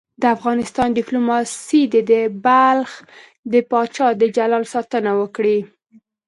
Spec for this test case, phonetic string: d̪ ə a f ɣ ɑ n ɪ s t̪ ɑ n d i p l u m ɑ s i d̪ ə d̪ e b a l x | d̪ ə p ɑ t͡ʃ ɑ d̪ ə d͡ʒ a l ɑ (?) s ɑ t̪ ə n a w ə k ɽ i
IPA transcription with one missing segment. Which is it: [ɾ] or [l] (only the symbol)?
l